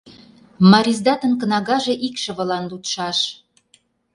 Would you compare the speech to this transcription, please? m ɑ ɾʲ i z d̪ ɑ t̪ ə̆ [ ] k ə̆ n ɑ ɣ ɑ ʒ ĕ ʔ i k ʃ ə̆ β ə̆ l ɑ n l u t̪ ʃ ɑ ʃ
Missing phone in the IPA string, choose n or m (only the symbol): n